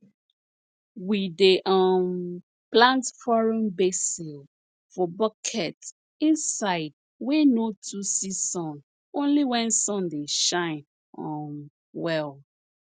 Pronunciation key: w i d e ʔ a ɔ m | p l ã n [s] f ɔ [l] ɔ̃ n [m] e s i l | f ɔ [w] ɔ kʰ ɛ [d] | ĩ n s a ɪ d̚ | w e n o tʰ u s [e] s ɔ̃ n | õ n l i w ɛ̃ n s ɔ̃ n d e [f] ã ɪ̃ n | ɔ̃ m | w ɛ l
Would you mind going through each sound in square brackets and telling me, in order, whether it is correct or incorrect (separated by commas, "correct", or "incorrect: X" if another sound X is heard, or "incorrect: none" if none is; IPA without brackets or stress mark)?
incorrect: t, incorrect: ɹ, incorrect: b, incorrect: b, incorrect: t, incorrect: i, incorrect: ʃ